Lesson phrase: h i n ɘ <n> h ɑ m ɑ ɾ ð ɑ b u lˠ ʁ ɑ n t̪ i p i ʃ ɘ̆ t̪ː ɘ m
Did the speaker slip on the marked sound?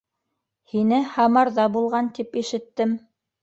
yes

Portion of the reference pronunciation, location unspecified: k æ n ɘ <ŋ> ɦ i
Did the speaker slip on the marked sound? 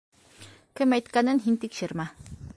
yes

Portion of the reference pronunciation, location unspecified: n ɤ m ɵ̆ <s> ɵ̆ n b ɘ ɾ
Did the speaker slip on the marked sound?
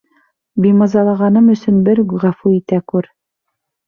no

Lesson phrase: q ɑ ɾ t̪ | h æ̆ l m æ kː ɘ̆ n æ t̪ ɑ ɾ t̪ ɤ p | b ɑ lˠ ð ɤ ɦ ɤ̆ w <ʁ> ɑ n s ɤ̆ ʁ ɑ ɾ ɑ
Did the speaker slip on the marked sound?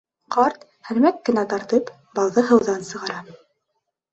yes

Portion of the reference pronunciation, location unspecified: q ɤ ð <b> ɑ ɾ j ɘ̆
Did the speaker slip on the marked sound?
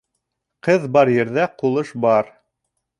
no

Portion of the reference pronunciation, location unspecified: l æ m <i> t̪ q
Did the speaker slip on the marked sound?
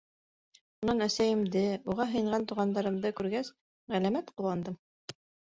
yes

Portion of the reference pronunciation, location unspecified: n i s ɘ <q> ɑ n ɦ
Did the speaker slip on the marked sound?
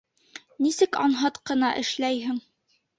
yes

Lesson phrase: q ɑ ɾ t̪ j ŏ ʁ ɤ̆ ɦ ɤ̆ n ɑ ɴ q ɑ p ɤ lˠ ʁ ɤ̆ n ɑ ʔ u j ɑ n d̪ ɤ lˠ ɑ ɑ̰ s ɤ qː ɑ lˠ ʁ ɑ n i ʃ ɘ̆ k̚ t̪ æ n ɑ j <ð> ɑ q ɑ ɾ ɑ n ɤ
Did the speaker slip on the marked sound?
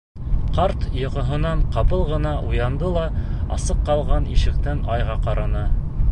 yes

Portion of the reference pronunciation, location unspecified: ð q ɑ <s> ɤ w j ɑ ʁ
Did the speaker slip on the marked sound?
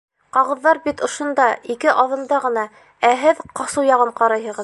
no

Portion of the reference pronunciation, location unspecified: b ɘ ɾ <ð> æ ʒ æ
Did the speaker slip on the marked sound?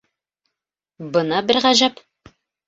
yes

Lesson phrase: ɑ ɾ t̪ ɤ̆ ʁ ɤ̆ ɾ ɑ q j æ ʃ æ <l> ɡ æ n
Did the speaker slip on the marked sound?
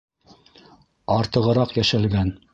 no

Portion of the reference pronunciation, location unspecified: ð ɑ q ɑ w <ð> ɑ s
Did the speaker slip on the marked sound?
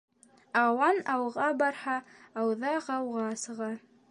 yes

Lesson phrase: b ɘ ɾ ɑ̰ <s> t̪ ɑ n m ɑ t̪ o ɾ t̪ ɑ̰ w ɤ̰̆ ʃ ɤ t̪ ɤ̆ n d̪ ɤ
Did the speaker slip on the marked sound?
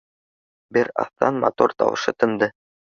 yes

